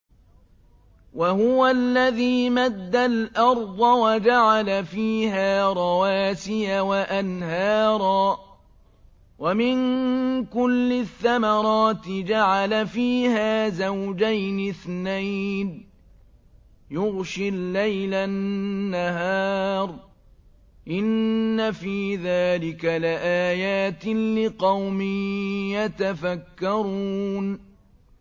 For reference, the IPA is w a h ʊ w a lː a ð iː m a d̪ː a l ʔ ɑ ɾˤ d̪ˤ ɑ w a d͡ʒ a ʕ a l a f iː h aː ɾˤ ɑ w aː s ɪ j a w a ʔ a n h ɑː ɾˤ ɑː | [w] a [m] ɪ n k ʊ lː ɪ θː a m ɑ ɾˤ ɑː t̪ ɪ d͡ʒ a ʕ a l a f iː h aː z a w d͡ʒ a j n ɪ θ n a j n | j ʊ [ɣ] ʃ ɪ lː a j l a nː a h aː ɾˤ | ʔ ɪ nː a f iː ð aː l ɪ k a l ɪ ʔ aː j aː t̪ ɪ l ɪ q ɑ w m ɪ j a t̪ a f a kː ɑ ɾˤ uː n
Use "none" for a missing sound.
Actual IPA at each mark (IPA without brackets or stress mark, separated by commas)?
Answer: w, m, ɣ